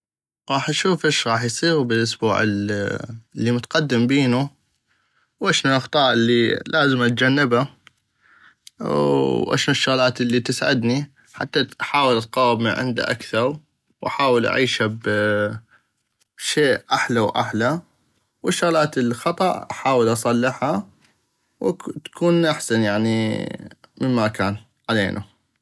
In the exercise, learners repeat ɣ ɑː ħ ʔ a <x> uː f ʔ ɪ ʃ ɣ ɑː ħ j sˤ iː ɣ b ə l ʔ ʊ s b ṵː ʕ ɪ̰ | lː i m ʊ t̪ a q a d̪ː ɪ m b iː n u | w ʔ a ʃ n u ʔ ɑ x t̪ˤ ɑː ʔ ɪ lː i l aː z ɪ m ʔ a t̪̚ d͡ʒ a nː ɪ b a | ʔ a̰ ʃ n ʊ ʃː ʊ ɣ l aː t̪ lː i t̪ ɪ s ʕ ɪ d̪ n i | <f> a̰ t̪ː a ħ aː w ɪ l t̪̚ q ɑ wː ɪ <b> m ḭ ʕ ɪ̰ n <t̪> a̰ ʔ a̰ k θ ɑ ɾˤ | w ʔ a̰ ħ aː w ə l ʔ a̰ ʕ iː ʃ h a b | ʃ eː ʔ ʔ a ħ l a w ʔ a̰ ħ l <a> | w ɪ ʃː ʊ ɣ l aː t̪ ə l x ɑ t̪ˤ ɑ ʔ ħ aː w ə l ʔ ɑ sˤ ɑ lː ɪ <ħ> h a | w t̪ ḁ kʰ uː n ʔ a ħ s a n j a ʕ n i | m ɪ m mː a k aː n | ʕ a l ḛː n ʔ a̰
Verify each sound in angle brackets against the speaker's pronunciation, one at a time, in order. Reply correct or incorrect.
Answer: incorrect: ʃ, incorrect: ħ, correct, incorrect: d̪, correct, correct

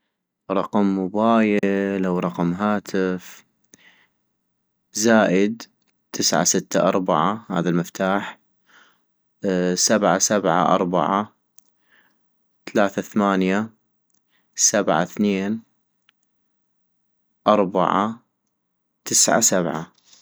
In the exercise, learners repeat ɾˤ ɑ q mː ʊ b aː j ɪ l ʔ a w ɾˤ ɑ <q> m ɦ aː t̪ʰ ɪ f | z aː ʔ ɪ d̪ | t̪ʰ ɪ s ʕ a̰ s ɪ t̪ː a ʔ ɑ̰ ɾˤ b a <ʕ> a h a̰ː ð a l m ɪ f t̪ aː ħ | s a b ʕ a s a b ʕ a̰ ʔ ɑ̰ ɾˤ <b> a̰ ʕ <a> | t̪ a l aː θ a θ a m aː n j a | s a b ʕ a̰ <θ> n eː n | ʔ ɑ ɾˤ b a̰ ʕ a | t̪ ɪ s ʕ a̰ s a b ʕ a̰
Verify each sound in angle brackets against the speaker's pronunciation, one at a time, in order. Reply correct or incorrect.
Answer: correct, correct, correct, correct, correct

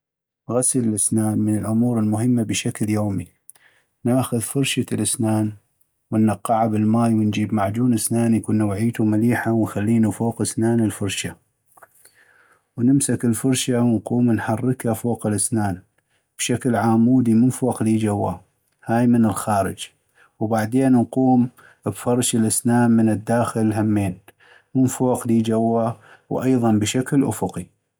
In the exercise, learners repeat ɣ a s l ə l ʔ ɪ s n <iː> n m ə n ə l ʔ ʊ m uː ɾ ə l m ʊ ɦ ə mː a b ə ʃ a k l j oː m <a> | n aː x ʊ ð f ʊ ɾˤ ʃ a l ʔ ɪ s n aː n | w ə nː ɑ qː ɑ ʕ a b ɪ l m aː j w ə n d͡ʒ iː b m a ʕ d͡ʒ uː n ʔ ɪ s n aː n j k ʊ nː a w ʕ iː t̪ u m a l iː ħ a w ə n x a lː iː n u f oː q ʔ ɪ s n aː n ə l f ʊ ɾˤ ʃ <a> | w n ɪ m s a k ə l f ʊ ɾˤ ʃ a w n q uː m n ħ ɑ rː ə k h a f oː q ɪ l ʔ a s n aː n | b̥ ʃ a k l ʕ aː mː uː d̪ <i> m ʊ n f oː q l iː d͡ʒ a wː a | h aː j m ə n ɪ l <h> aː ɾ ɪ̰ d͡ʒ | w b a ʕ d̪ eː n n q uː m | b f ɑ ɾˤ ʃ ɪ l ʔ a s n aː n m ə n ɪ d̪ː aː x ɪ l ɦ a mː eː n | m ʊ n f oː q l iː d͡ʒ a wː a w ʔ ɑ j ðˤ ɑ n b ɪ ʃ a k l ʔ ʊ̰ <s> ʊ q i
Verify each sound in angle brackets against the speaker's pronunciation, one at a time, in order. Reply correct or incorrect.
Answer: incorrect: aː, incorrect: i, correct, correct, incorrect: x, incorrect: f

